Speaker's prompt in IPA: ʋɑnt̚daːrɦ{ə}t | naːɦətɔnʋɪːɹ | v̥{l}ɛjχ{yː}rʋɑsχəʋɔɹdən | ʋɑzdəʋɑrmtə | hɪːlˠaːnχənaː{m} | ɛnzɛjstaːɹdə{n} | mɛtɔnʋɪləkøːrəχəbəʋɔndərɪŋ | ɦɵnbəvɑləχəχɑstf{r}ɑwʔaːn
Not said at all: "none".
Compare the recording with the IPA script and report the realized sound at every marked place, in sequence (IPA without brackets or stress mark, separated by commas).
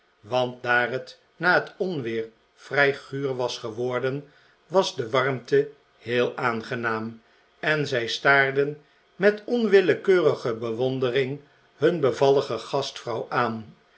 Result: ə, r, yː, m, n, r